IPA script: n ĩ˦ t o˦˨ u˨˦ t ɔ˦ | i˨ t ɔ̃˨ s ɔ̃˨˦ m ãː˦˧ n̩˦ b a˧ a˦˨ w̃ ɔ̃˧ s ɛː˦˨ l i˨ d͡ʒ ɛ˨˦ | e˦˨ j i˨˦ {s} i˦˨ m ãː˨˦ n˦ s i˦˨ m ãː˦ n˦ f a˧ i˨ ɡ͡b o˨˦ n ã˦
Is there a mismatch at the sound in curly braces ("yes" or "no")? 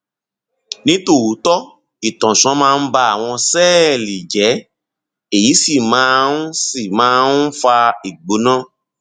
no